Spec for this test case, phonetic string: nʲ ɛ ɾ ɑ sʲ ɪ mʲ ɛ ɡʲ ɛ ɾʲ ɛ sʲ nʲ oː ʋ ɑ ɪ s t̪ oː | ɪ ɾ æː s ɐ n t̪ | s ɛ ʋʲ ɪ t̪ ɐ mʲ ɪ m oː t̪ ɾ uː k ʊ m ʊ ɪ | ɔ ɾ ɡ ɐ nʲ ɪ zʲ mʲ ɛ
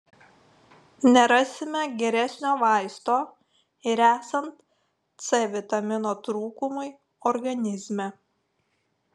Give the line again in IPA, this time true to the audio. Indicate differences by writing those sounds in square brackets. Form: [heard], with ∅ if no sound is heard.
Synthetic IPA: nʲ ɛ ɾ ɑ sʲ ɪ mʲ ɛ ɡʲ ɛ ɾʲ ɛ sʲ nʲ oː ʋ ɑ ɪ s t̪ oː | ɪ ɾ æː s ɐ n t̪ | s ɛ ʋʲ ɪ t̪ ɐ mʲ ɪ [n] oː t̪ ɾ uː k ʊ m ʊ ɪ | ɔ ɾ ɡ ɐ nʲ ɪ zʲ mʲ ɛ